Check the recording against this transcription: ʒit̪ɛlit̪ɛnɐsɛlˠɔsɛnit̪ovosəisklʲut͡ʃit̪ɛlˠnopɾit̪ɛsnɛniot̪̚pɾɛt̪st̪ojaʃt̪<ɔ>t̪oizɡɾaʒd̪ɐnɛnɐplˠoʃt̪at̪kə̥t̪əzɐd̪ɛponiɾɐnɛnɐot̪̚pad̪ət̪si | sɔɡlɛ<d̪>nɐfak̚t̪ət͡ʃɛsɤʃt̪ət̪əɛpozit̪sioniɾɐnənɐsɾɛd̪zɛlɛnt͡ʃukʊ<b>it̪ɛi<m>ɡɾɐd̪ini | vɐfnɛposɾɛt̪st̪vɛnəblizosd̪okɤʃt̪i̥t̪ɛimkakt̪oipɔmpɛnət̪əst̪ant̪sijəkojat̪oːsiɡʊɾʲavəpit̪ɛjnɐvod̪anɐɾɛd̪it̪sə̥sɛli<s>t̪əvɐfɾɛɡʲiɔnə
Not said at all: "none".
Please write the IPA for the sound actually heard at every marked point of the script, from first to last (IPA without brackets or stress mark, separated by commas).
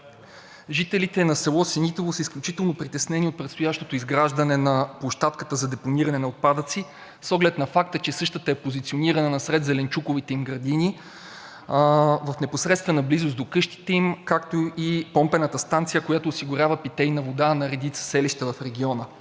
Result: o, t̪, v, m, ʃ